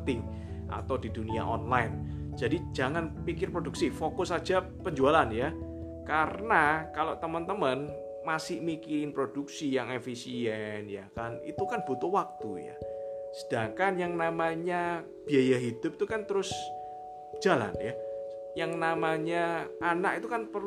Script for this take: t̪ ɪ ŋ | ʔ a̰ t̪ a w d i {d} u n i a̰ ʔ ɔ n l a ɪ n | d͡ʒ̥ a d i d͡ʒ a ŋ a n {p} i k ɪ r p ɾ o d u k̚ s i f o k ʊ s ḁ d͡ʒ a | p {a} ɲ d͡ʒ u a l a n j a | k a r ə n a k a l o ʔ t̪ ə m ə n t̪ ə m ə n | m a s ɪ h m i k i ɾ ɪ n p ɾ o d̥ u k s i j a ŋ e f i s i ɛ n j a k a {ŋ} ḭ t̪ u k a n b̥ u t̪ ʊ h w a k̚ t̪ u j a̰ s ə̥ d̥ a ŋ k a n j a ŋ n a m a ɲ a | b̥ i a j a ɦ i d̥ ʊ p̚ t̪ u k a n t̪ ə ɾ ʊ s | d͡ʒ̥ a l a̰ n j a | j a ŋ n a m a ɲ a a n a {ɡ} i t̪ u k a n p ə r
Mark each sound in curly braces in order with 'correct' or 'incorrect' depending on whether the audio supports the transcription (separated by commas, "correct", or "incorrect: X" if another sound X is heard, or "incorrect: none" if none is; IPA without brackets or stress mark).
correct, correct, incorrect: ə, incorrect: n, incorrect: k